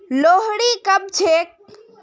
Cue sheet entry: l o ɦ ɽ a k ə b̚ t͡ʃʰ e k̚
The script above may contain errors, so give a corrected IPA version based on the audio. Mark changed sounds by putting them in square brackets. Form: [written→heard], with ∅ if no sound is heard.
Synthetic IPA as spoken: l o ɦ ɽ [a→i] k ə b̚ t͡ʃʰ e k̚